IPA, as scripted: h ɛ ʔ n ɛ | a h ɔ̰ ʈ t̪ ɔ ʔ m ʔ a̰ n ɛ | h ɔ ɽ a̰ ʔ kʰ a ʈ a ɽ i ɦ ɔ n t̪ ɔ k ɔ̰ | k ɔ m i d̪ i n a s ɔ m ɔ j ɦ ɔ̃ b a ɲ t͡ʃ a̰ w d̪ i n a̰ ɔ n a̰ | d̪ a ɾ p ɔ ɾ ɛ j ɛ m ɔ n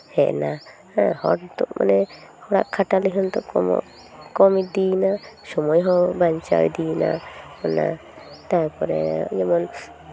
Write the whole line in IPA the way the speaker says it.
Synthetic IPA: h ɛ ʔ n a | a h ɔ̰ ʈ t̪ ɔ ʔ m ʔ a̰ n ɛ | h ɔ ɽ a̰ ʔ kʰ a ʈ a l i ɦ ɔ n t̪ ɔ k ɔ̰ | k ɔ m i d̪ i n a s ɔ m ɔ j ɦ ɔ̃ b a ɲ t͡ʃ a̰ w d̪ i n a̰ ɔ n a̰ | t̪ a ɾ p ɔ ɾ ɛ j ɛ m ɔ n

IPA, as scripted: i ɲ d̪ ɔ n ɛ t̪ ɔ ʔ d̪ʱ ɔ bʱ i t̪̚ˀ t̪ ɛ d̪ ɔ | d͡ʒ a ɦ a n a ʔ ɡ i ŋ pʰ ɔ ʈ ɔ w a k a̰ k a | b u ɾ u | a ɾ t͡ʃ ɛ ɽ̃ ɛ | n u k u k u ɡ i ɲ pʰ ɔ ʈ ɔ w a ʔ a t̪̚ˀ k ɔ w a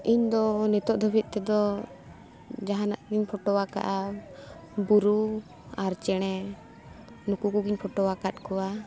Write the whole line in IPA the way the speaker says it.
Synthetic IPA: i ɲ d̪ ɔ n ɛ t̪ ɔ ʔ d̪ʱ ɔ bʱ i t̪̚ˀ t̪ ɛ d̪ ɔ | d͡ʒ a ɦ a n a ʔ ɡ i ɲ pʰ ɔ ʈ ɔ w a k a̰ ʔ a | b u ɾ u | a ɾ t͡ʃ ɛ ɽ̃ ɛ | n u k u k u ɡ i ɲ pʰ ɔ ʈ ɔ w a k a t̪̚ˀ k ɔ w a

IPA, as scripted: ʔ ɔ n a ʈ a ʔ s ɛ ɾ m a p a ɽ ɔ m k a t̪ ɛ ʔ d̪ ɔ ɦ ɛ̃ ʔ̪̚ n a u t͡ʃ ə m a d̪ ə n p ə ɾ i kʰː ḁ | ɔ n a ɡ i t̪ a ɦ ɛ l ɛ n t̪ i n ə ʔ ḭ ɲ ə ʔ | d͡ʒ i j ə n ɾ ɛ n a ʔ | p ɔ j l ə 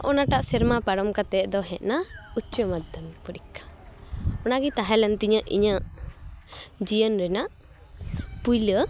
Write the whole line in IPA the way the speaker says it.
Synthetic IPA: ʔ ɔ n a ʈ a ʔ s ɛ ɾ m a p a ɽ ɔ m k a t̪ ɛ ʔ d̪ ɔ ɦ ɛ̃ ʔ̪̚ n a u t͡ʃ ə m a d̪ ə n p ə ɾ i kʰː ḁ | ɔ n a ɡ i t̪ a ɦ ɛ l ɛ n t̪ i ɲ ə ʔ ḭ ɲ ə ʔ | d͡ʒ i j ə n ɾ ɛ n a ʔ | p u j l ə

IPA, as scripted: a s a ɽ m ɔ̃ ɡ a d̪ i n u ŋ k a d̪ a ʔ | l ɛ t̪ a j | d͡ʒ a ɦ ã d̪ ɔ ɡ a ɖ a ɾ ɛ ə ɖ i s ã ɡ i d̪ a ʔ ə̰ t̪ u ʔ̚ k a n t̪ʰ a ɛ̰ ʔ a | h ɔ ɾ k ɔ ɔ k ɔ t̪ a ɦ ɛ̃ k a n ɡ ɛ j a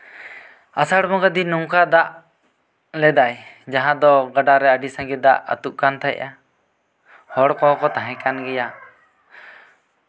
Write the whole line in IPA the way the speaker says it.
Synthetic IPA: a s a ɽ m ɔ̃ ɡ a d̪ i n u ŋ k a d̪ a ʔ | l ɛ d̪ a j | d͡ʒ a ɦ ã d̪ ɔ ɡ a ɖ a ɾ ɛ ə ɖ i s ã ɡ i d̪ a ʔ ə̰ t̪ u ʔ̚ k a n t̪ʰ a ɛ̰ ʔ a | h ɔ ɽ k ɔ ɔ k ɔ t̪ a ɦ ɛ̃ k a n ɡ ɛ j a

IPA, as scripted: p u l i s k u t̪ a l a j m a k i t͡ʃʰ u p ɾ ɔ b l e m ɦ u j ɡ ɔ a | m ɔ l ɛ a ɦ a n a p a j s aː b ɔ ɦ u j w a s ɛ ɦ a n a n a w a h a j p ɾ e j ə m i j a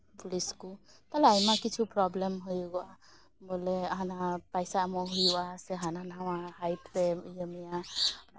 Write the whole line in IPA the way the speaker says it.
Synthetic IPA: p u l i s k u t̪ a l a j m a k i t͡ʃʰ u p ɾ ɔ b l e m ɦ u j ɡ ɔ a | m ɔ l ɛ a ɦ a n a p a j s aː m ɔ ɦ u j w a s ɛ ɦ a n a n a w a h a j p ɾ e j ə m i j a

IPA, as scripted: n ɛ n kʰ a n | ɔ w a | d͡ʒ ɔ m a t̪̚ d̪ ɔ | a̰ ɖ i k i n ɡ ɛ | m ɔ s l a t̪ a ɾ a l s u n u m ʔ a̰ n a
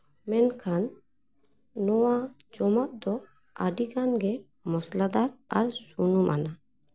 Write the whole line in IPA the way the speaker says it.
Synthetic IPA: m ɛ n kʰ a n | ɔ w a | d͡ʒ ɔ m a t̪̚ d̪ ɔ | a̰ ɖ i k a n ɡ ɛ | m ɔ s l a d̪ a ɾ a ɾ s u n u m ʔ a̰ n a

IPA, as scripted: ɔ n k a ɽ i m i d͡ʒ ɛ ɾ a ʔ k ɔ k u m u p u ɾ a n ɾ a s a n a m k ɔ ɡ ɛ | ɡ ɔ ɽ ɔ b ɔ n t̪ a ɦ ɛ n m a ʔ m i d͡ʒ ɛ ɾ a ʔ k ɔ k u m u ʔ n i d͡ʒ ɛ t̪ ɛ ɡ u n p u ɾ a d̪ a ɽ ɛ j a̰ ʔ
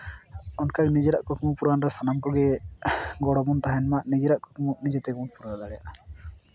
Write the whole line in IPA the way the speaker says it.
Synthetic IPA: ɔ n k a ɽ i n i d͡ʒ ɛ ɾ a ʔ k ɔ k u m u p u ɾ a n ɾ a s a n a m k ɔ ɡ ɛ | ɡ ɔ ɽ ɔ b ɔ n t̪ a ɦ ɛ n m a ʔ n i d͡ʒ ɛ ɾ a ʔ k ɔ k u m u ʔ n i d͡ʒ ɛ t̪ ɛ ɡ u n p u ɾ a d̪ a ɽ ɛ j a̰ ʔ

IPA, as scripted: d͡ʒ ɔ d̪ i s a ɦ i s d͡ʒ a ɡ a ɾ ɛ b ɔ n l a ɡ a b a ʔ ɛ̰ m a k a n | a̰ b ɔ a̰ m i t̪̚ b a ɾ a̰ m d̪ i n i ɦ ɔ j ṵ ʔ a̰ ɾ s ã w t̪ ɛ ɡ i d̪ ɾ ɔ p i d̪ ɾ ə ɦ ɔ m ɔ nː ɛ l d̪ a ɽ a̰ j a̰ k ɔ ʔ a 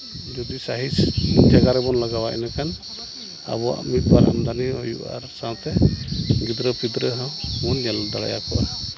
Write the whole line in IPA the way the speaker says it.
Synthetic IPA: d͡ʒ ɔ d̪ i s a ɦ i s d͡ʒ a ɡ a ɾ ɛ b ɔ n l a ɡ a w a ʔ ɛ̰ n a k a n | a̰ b ɔ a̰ m i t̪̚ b a ɾ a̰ m d̪ a n i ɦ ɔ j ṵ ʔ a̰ ɾ s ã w t̪ ɛ ɡ i d̪ ɾ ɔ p i d̪ ɾ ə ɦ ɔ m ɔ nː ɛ l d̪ a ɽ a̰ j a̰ k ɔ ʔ a

